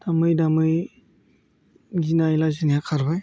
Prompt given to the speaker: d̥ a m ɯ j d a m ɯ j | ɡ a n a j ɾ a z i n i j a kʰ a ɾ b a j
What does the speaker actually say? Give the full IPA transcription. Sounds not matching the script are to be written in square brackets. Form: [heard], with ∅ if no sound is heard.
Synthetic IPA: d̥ a m ɯ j d a m ɯ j | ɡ [i] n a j [l] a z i n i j a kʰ a ɾ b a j